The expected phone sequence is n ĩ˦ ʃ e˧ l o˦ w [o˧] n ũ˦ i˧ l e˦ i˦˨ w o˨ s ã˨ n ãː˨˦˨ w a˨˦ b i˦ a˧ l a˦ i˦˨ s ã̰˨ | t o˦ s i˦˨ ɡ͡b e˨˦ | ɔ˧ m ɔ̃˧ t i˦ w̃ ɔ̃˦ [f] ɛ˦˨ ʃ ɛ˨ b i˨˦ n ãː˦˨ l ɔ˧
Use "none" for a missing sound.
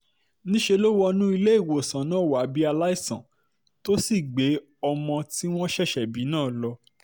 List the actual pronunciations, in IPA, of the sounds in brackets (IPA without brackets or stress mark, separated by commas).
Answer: ɔ˧, ʃ